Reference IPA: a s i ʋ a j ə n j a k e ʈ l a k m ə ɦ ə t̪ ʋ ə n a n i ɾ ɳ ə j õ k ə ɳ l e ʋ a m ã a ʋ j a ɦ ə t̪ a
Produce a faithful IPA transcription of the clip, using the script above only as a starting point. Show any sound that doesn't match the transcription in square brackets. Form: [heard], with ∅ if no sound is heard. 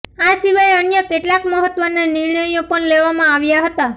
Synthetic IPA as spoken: a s i ʋ a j ə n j [ə] k e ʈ l a k m ə ɦ ə t̪ ʋ ə n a n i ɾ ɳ ə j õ [p] ə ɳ l e ʋ a m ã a ʋ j a ɦ ə t̪ a